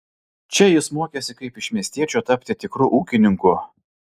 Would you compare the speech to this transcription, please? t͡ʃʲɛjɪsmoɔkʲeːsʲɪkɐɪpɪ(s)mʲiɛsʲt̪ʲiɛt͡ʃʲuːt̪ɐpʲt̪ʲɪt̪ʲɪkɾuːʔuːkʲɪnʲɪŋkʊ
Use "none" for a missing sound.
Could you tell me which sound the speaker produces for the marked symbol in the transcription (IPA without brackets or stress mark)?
ʃ